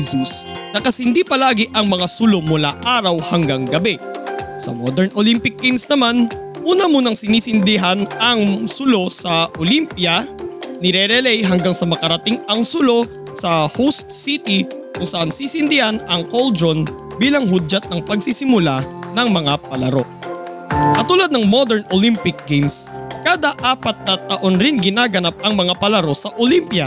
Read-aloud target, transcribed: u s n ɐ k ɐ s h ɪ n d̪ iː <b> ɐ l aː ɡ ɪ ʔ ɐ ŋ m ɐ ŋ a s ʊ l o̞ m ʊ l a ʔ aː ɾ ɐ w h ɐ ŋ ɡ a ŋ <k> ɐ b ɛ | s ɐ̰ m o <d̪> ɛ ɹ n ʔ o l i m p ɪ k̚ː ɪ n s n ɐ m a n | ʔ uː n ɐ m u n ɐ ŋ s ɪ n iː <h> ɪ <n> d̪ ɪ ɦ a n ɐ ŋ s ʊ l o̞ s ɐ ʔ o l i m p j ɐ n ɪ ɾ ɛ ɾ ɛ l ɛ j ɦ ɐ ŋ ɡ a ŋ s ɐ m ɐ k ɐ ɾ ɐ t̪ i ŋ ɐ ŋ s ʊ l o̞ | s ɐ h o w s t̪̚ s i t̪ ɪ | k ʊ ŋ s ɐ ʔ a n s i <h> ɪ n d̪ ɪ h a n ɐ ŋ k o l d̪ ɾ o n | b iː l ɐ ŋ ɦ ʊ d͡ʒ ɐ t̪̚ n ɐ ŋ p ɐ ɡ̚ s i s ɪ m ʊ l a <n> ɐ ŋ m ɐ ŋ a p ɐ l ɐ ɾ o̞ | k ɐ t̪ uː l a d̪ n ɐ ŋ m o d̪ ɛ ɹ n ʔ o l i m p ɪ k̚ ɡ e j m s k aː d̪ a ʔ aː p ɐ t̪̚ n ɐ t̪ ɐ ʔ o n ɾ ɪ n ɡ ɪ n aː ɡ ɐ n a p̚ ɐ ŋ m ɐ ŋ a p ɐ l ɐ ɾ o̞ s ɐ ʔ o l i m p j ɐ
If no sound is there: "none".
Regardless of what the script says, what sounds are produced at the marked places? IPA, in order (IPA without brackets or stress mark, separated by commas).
p, ɡ, d̪, s, n, s, n